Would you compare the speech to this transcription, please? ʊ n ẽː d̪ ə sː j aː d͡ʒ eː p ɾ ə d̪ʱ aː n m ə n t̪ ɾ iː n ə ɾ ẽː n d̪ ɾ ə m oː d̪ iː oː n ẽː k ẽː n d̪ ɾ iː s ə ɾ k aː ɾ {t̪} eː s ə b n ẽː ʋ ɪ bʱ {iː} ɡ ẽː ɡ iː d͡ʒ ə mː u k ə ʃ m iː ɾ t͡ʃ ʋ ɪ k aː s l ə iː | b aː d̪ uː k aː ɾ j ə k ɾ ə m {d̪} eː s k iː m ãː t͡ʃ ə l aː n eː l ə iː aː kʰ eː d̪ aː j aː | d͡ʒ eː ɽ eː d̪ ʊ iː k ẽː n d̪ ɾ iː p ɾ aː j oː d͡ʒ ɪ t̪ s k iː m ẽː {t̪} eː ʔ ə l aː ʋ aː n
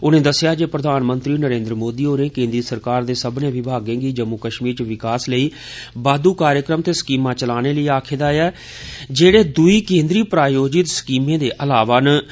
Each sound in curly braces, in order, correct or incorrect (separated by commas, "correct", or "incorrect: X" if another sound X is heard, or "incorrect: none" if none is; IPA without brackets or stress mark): incorrect: d̪, incorrect: aː, incorrect: t̪, incorrect: d̪